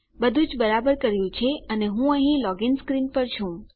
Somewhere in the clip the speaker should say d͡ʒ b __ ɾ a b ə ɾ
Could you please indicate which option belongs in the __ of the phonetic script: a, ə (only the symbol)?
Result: ə